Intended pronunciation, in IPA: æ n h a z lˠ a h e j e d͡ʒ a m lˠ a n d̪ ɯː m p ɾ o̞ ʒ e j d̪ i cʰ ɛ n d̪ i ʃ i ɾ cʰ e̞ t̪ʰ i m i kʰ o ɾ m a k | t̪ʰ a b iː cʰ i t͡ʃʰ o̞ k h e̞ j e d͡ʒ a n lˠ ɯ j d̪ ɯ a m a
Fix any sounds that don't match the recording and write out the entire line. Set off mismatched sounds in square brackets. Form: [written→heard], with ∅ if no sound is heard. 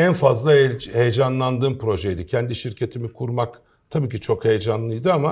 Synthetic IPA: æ n [h→f] a z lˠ a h e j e d͡ʒ a [m→n] lˠ a n d̪ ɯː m p ɾ o̞ ʒ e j d̪ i cʰ ɛ n d̪ i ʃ i ɾ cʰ e̞ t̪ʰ i m i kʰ [o→u] ɾ m a k | t̪ʰ a b iː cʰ i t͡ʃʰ o̞ k h e̞ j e d͡ʒ a n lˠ ɯ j d̪ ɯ a m a